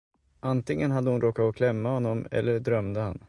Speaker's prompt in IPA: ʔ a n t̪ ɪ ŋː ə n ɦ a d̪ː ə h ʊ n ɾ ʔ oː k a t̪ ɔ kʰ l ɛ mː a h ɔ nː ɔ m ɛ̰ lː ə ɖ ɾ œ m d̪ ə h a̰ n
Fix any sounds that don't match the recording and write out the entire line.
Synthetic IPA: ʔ a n t̪ ɪ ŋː ə n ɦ a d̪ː ə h ʊ n ɾ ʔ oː k a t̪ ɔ kʰ l ɛ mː a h ɔ nː ɔ m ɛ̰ lː ə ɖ ɾ œ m d̪ ə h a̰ n

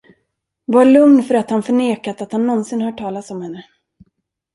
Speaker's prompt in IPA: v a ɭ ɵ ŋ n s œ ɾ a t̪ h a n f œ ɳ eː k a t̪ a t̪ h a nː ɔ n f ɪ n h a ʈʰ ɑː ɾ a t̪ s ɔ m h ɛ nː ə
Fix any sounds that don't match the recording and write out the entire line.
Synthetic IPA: v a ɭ ɵ ŋ n f œ ɾ a t̪ h a n f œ ɳ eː k a t̪ a t̪ h a nː ɔ n s ɪ n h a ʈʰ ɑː l a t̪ s ɔ m h ɛ nː ə

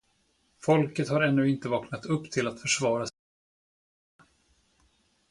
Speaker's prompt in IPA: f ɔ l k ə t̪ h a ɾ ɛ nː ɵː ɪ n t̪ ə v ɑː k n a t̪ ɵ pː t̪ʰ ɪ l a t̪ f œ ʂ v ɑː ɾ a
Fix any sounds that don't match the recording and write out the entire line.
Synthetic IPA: f ɔ l k ə t̪ h a ɾ ɛ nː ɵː ɪ n t̪ ə v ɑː k n a t̪ ɵ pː t̪ʰ ɪ l a t̪ f œ ʂ v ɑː ɾ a

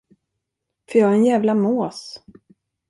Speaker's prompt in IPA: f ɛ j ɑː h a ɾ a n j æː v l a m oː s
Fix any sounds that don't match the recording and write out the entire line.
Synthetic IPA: f œ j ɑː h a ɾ ɛ n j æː v l a m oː s

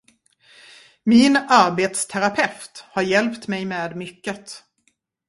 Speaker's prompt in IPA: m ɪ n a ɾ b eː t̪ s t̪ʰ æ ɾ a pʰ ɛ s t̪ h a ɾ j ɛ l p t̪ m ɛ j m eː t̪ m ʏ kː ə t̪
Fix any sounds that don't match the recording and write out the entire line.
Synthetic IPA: m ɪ n a ɾ b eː t̪ s t̪ʰ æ ɾ a pʰ ɛ f t̪ h a ɾ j ɛ l p t̪ m ɛ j m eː d̪ m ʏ kː ə t̪

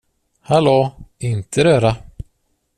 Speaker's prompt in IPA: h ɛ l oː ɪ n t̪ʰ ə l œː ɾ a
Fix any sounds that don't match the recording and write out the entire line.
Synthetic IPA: h a l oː ɪ n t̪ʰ ə ɾ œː ɾ a

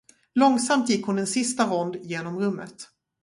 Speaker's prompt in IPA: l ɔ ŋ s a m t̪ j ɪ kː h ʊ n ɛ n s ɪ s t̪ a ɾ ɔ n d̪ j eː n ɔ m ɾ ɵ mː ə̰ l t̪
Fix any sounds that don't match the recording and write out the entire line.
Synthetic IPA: l ɔ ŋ s a m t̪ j ɪ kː h ʊ n ɛ n s ɪ s t̪ a ɾ ɔ n d̪ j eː n ɔ m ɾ ɵ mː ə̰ t̪

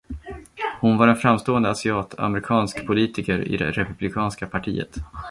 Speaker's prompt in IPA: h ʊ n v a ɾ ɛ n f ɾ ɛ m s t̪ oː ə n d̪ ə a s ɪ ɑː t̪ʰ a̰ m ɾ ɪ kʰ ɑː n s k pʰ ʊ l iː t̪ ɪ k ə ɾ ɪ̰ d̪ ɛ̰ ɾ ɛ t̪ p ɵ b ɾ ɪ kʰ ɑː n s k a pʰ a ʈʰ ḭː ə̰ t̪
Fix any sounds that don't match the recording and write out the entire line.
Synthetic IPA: h ʊ n v a ɾ ɛ n f ɾ a m s t̪ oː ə n d̪ ə a s ɪ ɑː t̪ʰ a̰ m ɾ ɪ kʰ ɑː n s k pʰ ʊ l iː t̪ ɪ k ə ɾ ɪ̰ d̪ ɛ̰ ɾ ɛ p ɵ b l ɪ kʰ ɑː n s k a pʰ a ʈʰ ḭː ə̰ t̪

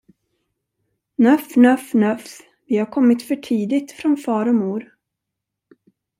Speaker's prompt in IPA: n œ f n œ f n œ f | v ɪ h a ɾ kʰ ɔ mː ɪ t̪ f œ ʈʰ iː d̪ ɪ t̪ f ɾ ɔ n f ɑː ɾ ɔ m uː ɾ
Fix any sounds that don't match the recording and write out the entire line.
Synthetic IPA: n œ f n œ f n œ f | v ɪ h a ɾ kʰ ɔ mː ɪ t̪ f œ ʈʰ iː d̪ ɪ t̪ f ɾ ɔ n f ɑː ɾ ɔ m uː ɾ

